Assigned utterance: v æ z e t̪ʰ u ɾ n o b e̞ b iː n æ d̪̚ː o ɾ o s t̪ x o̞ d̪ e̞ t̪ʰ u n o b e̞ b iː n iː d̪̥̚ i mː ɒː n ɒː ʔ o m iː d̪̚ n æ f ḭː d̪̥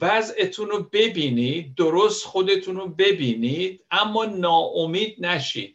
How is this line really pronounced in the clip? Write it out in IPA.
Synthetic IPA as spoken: v æ z e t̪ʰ u n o b e̞ b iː n i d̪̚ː o ɾ o s t̪ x o̞ d̪ e̞ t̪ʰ u n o b e̞ b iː n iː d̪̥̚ æ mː ɒː n ɒː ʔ o m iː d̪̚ n æ ʃ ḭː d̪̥